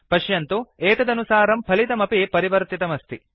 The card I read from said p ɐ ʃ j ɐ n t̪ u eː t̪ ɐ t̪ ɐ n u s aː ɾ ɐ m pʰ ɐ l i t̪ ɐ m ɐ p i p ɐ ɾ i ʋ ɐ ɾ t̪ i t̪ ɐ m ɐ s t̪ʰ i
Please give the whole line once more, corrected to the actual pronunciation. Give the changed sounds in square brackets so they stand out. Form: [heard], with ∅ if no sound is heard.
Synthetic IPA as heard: p ɐ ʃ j ɐ n t̪ u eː t̪ ɐ [d̪] ɐ n u s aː ɾ ɐ m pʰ ɐ l i t̪ ɐ m ɐ p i p ɐ ɾ i ʋ ɐ ɾ t̪ i t̪ ɐ m ɐ s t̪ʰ i